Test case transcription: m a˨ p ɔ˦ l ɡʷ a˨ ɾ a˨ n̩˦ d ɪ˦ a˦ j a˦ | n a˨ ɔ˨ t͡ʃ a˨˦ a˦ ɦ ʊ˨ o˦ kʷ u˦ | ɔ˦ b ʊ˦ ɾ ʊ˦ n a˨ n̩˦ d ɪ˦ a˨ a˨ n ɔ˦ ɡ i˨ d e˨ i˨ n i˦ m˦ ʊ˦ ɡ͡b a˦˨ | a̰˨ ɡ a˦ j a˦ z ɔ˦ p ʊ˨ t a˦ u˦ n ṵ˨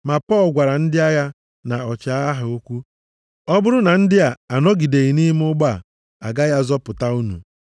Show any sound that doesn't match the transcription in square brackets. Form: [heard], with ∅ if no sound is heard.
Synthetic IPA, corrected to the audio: m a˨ p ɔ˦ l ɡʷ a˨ ɾ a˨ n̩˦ d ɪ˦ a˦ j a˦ | n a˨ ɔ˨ t͡ʃ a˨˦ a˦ ɦ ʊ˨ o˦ kʷ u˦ | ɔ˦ b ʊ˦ ɾ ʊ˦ n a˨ n̩˦ d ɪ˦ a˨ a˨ n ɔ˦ ɡ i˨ d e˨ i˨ n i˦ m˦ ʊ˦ ɡ͡b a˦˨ | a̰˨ ɡ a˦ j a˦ z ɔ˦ p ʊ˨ t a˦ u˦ n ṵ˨

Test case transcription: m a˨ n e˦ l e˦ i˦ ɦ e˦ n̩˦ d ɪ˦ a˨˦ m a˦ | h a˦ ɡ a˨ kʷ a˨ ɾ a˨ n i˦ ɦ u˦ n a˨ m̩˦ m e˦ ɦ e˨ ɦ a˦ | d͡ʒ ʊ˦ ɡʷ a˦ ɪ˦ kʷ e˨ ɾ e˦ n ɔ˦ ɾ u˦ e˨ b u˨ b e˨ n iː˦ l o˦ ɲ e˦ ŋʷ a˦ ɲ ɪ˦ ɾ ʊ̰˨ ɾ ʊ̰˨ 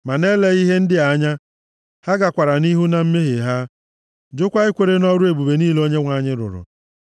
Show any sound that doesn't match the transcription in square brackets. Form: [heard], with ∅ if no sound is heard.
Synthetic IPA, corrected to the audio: m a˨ n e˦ l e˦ i˦ ɦ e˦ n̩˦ d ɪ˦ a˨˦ [ɲ] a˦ | h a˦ ɡ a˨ kʷ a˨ ɾ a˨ n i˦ ɦ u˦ n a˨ m̩˦ m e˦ ɦ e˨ ɦ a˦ | d͡ʒ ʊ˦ [kʷ] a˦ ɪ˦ kʷ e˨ ɾ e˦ n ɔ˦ ɾ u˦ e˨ b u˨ b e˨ n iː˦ l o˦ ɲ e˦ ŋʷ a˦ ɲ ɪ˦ ɾ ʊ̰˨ ɾ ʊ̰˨

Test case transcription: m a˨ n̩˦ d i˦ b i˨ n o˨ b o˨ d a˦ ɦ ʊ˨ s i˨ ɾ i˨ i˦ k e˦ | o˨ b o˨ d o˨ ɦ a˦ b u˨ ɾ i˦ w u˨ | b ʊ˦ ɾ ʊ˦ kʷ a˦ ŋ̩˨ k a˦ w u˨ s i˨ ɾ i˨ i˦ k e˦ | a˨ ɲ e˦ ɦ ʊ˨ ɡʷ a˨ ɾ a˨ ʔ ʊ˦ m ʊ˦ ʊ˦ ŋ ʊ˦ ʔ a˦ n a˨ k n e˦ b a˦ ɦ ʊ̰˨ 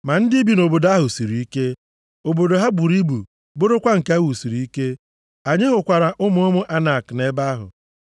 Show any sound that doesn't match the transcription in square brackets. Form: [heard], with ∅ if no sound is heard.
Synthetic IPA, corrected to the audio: m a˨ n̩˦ d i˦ b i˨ n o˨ b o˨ d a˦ ɦ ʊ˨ s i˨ ɾ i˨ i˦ k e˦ | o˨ b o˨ d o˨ ɦ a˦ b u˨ ɾ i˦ [b] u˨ | b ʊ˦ ɾ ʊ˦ kʷ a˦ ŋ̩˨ k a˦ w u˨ s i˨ ɾ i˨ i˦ k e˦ | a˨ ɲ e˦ ɦ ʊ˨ [kʷ] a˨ ɾ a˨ ʔ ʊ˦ m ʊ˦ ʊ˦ [m] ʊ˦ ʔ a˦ n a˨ k n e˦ b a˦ ɦ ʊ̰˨

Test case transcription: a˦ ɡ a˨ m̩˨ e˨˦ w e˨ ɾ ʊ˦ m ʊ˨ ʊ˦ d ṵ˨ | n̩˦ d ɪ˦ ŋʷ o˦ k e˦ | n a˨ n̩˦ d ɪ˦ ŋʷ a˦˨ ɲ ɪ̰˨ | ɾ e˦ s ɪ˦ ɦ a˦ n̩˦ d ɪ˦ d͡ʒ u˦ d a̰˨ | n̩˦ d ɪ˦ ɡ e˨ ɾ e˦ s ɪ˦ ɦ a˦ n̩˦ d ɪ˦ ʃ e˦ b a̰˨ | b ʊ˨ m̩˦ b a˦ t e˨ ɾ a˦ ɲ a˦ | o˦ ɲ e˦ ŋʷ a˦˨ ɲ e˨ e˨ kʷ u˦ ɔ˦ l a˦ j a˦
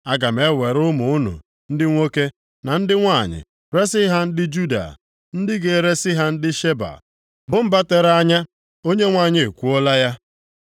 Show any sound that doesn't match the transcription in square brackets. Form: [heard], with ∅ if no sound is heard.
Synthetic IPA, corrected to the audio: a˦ ɡ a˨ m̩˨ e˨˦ w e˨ ɾ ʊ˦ m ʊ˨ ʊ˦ [n] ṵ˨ | n̩˦ d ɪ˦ ŋʷ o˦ k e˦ | n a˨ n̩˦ d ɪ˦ ŋʷ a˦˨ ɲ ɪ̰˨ | ɾ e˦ s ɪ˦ ɦ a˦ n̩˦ d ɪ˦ d͡ʒ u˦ d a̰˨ | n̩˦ d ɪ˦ ɡ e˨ ɾ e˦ s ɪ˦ ɦ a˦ n̩˦ d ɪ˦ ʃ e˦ b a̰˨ | b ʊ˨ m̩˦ b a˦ t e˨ ɾ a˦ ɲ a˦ | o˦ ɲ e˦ ŋʷ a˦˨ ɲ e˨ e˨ kʷ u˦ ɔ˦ l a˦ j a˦

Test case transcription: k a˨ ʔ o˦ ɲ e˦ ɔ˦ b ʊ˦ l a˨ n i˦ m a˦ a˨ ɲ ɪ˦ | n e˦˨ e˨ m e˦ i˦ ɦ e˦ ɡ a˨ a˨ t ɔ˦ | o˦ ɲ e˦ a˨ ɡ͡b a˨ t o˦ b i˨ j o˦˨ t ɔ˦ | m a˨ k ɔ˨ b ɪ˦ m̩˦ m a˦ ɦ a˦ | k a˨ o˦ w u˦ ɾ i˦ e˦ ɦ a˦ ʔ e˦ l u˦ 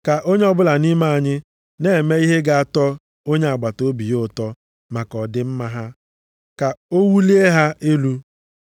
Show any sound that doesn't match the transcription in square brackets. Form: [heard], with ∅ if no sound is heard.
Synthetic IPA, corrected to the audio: k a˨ ʔ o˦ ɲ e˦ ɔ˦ b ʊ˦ l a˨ n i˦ m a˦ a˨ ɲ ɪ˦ | n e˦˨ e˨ m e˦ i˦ ɦ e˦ ɡ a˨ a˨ t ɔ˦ | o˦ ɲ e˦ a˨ ɡ͡b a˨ t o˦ b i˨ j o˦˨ t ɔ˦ | m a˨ k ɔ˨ [d] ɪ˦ m̩˦ m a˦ ɦ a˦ | k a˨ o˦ w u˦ [l] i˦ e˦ ɦ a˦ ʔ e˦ l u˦

